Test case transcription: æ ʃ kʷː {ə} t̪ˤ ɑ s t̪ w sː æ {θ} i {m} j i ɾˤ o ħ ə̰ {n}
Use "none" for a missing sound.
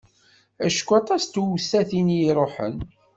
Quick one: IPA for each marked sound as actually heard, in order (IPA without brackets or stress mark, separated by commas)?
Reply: ɑ, θ, n, n